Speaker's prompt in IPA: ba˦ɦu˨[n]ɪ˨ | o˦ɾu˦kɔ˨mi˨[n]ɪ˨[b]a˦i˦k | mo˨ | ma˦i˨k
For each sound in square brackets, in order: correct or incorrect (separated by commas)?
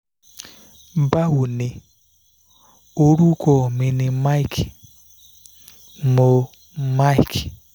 correct, correct, incorrect